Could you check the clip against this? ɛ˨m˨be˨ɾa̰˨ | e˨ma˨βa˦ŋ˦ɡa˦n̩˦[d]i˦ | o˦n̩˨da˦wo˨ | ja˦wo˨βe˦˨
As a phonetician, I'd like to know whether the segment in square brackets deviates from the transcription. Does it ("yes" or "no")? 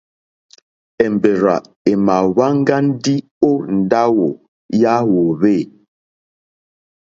no